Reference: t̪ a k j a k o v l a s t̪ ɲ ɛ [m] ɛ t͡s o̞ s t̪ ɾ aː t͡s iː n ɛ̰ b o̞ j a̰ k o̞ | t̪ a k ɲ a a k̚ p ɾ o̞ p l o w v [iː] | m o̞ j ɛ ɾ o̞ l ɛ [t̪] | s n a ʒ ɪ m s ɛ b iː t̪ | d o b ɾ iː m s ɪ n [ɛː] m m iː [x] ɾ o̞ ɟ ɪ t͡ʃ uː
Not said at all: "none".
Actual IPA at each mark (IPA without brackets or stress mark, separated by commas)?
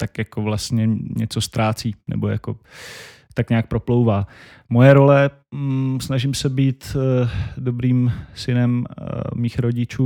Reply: ɲ, aː, none, ɛ, x